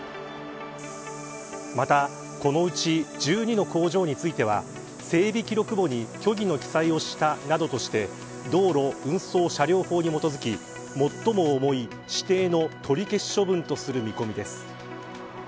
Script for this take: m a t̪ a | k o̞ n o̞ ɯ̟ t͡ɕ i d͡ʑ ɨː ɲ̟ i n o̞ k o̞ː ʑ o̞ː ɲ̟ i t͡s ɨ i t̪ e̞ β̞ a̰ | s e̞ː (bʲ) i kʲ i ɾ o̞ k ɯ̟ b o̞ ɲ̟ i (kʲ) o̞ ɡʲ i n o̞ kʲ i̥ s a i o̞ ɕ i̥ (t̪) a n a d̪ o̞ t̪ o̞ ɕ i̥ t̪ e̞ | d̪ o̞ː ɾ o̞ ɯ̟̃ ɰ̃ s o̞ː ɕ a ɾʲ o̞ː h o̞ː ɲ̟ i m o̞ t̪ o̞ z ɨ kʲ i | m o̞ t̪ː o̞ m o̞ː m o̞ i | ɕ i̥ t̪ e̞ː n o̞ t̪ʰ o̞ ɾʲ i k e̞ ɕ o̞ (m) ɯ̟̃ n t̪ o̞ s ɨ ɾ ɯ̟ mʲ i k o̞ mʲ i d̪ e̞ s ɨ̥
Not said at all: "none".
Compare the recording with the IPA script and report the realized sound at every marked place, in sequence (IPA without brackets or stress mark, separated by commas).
bʲ, kʲ, t̪, b